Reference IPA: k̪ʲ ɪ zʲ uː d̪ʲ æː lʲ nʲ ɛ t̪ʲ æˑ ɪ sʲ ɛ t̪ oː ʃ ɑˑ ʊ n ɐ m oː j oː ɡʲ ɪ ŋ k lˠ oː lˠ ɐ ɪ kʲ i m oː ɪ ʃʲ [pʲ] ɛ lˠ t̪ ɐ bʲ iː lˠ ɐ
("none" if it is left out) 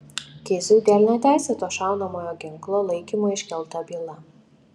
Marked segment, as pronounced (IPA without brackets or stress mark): kʲ